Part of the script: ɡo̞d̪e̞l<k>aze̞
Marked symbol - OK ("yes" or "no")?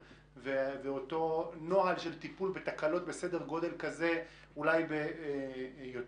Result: yes